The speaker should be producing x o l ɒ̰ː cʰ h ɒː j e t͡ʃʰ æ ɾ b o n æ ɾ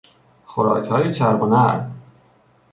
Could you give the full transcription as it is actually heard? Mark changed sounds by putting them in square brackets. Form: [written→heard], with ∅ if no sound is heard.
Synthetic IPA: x o [l→ɾ] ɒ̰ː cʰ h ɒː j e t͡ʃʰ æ ɾ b o n æ ɾ

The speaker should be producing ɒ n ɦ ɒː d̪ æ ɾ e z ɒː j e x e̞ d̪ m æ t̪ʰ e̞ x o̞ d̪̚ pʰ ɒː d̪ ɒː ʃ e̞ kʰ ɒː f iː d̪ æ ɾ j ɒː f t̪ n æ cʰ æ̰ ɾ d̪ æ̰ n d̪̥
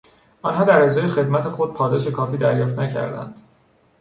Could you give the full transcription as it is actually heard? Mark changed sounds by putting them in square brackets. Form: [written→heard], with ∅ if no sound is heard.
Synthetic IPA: ɒ n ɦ ɒː d̪ æ ɾ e z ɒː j e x e̞ d̪ m æ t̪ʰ e̞ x o̞ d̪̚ pʰ ɒː d̪ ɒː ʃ e̞ kʰ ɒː f iː d̪ æ ɾ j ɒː f t̪ n æ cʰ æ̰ ɾ d̪ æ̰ n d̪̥

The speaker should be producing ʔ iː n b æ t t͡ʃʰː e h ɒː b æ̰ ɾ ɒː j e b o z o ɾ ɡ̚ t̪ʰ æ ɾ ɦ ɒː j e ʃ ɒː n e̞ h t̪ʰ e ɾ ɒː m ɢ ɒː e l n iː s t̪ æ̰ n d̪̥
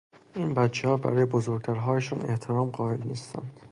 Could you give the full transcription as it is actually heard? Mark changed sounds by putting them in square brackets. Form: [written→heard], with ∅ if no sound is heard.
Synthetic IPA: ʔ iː n b æ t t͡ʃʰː e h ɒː b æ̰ ɾ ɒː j e b o z o ɾ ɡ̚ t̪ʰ æ ɾ ɦ ɒː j e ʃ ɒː n e̞ h t̪ʰ e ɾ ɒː m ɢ ɒː e l n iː s t̪ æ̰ n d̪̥

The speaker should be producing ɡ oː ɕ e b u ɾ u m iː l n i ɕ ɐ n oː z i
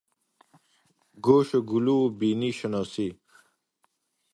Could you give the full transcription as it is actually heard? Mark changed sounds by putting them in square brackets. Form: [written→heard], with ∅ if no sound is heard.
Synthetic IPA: ɡ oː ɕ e [b→ɡ] u [ɾ→l] u [m→b] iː [l→∅] n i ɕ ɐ n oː [z→s] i

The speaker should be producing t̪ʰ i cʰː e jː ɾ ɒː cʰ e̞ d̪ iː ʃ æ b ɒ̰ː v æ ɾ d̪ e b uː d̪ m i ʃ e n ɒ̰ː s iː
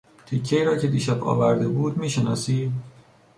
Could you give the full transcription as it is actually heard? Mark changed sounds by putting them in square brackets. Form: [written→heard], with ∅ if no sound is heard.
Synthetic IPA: t̪ʰ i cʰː e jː ɾ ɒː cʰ e̞ d̪ iː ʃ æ b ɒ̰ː v æ ɾ d̪ e b uː d̪ m [i→iː] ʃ e n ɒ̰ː s iː

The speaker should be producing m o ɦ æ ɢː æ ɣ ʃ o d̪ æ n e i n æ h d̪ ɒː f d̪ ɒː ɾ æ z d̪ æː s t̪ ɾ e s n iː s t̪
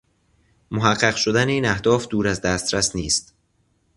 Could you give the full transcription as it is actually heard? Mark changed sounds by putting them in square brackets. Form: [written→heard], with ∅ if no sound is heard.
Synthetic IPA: m o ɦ æ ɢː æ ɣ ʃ o d̪ æ n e [i→iː] n æ h d̪ ɒː f d̪ [ɒː→uː] ɾ æ z d̪ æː s t̪ ɾ [e→æ] s n iː s t̪

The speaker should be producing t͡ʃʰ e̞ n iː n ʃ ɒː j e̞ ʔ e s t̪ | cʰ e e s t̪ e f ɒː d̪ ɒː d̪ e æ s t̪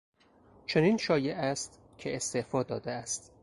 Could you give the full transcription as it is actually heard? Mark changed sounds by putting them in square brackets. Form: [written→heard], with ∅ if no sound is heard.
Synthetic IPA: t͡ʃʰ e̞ n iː n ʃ ɒː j e̞ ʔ [e→æ] s t̪ | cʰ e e s t̪ e f ɒː d̪ ɒː d̪ e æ s t̪

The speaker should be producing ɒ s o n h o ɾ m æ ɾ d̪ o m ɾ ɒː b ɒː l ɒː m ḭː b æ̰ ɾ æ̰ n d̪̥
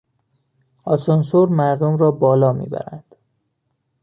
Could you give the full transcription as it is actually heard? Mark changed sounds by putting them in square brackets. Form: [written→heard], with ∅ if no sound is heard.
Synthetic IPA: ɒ s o n [h→s] o ɾ m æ ɾ d̪ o m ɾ ɒː b ɒː l ɒː m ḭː b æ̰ ɾ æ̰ n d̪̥

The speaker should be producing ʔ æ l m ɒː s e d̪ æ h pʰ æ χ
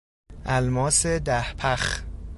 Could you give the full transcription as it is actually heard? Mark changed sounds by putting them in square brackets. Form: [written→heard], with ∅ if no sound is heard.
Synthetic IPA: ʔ æ l m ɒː s e d̪ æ h pʰ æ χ

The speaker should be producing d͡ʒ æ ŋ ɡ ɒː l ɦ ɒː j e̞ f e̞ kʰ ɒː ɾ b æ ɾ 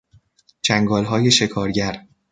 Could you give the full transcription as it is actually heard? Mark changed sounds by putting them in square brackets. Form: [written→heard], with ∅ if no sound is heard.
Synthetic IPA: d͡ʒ æ ŋ ɡ ɒː l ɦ ɒː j e̞ [f→ʃ] e̞ kʰ ɒː ɾ [b→ɟ] æ ɾ

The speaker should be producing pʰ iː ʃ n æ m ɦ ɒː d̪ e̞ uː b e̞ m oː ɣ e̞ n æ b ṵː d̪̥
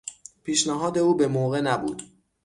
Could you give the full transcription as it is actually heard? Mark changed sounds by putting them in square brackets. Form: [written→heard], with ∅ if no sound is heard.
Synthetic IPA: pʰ iː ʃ n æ [m→∅] ɦ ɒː d̪ e̞ uː b e̞ m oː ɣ e̞ n æ b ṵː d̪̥

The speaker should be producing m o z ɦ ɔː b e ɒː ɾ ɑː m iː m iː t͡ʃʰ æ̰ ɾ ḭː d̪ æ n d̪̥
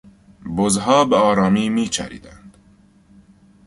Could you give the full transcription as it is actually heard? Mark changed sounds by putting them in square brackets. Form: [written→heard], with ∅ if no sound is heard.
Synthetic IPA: [m→b] o z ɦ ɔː b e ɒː ɾ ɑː m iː m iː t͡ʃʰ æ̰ ɾ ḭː d̪ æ n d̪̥

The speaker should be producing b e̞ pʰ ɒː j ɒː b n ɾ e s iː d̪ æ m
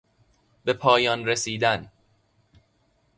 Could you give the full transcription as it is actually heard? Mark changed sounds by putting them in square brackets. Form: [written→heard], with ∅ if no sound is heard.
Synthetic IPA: b e̞ pʰ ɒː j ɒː [b→∅] n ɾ e s iː d̪ æ [m→n]

